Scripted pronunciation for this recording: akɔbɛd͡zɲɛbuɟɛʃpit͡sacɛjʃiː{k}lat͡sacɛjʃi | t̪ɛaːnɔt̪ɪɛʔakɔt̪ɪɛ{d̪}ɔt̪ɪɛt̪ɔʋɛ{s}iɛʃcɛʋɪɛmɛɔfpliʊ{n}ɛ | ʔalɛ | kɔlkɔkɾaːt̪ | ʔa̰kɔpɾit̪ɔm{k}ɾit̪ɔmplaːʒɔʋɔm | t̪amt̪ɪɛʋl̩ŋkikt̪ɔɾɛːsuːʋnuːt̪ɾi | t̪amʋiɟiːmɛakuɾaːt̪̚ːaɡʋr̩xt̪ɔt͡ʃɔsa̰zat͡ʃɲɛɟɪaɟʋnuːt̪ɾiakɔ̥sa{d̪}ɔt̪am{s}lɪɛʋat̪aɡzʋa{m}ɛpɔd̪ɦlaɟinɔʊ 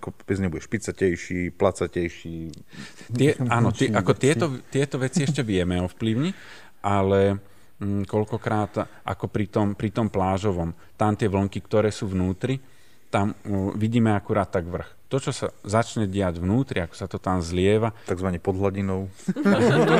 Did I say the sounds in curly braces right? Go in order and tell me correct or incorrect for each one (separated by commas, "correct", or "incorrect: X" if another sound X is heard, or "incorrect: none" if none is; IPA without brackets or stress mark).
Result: incorrect: p, incorrect: t̪, incorrect: t͡s, incorrect: ɲ, incorrect: p, incorrect: t̪, incorrect: z, incorrect: ɲ